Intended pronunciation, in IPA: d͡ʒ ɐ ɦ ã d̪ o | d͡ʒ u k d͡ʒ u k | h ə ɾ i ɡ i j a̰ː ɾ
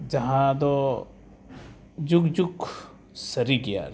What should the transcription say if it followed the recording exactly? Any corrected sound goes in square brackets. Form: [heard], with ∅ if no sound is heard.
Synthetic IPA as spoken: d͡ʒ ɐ ɦ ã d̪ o | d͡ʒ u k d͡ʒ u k | [s] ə ɾ i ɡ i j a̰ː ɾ

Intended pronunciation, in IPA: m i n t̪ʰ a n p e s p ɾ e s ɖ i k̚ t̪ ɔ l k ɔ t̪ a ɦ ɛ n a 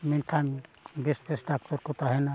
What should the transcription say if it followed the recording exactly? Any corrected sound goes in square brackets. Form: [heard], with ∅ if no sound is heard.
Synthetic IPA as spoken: m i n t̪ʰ a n [b] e s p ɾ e s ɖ [a] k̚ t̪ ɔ [ɾ] k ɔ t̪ a ɦ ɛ n a

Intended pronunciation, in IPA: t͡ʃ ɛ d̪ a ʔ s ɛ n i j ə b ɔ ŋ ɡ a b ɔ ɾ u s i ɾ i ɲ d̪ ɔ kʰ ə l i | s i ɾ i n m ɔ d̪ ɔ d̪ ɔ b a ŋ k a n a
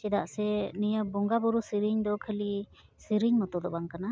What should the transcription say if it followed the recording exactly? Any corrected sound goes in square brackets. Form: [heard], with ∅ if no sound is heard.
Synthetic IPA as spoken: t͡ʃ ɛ d̪ a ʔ s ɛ n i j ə b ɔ ŋ ɡ a b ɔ ɾ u s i ɾ i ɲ d̪ ɔ kʰ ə l i | s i ɾ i [ɲ] m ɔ [t̪] ɔ d̪ ɔ b a ŋ k a n a

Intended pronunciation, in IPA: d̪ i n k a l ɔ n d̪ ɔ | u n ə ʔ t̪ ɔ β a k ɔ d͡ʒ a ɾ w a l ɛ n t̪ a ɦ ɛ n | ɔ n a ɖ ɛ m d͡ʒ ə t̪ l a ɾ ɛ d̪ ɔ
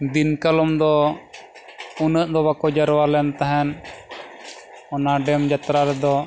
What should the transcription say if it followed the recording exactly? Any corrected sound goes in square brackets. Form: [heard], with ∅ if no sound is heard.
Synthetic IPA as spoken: d̪ i n k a l ɔ [m] d̪ ɔ | u n ə ʔ [d̪] ɔ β a k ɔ d͡ʒ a ɾ w a l ɛ n t̪ a ɦ ɛ n | ɔ n a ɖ ɛ m d͡ʒ [a] t̪ [ɾ] a ɾ ɛ d̪ ɔ

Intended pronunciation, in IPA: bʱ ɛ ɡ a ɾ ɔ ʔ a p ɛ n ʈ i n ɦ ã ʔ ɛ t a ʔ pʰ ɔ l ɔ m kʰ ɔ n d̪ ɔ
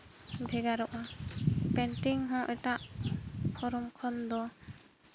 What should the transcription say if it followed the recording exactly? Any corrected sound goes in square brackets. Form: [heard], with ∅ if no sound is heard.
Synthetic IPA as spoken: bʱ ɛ ɡ a ɾ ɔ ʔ a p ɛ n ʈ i [ŋ] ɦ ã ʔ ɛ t a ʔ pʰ ɔ [ɾ] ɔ m kʰ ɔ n d̪ ɔ

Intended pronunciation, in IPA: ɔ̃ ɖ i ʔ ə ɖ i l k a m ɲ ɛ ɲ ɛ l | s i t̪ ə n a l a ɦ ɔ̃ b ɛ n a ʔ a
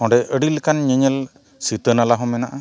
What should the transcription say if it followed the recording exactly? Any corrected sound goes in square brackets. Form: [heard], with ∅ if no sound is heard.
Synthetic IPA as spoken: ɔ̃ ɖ [ɛ] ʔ ə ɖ i l k a [n] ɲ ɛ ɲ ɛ l | s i t̪ ə n a l a ɦ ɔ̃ [m] ɛ n a ʔ a

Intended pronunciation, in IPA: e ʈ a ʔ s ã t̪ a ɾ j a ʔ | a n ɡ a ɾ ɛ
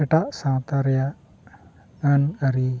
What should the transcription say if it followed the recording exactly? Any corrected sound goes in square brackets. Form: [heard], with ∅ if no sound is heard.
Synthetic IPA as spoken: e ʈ a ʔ s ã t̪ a ɾ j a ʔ | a n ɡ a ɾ [i]

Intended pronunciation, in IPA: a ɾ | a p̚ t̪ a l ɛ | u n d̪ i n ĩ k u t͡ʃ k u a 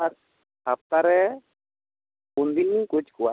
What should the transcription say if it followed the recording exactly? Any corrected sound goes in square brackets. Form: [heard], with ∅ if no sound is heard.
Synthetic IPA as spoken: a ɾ | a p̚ t̪ a [ɾ] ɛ | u n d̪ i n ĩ k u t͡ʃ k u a

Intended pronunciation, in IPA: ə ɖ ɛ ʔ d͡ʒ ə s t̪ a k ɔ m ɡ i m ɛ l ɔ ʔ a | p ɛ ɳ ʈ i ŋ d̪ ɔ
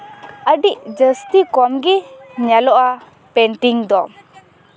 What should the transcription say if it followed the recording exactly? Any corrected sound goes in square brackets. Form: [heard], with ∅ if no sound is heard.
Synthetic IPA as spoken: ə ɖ [i] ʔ d͡ʒ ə s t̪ [i] k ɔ m ɡ i [ɲ] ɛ l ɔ ʔ a | p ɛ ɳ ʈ i ŋ d̪ ɔ

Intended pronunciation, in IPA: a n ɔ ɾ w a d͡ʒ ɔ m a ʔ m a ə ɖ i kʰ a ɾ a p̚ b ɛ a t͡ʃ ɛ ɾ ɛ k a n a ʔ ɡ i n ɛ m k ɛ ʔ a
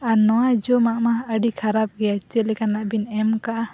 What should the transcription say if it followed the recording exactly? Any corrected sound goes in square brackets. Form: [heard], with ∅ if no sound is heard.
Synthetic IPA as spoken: a n ɔ [∅] w a d͡ʒ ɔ m a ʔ m a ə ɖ i kʰ a ɾ a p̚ [ɡ] ɛ a t͡ʃ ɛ [l] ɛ k a n a ʔ [b] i n ɛ m k [a] ʔ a

